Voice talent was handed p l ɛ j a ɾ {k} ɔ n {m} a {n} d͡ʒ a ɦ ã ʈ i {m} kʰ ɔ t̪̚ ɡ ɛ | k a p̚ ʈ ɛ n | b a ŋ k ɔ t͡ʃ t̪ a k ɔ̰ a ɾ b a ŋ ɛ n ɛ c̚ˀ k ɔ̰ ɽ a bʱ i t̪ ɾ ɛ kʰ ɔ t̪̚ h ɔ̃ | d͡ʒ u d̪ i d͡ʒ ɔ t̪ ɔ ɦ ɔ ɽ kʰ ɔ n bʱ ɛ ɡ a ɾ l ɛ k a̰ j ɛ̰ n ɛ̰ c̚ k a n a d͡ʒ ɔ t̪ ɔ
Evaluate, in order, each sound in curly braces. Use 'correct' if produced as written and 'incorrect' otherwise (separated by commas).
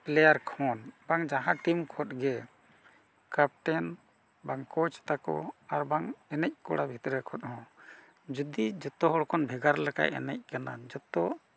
incorrect, incorrect, incorrect, correct